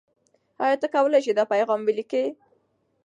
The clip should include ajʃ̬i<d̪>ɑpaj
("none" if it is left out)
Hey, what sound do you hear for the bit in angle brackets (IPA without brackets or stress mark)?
d̪